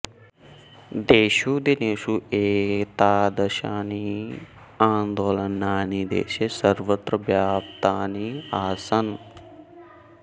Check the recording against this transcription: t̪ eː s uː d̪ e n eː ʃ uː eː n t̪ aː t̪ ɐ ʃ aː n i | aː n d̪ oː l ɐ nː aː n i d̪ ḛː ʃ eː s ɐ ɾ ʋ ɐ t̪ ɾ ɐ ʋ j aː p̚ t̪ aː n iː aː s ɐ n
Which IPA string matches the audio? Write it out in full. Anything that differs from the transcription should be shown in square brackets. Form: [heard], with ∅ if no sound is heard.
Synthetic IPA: [d̪] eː [ʃ] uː d̪ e n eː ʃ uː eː [∅] t̪ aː [d̪] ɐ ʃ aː n i | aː n d̪ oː l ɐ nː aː n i d̪ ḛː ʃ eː s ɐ ɾ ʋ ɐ t̪ ɾ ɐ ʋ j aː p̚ t̪ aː n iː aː s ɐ n